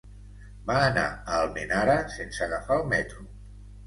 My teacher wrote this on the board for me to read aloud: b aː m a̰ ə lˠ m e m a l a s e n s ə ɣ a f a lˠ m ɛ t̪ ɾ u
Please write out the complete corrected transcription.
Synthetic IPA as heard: b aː n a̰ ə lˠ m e n a ɾ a s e n s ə ɣ a f a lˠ m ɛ t̪ ɾ u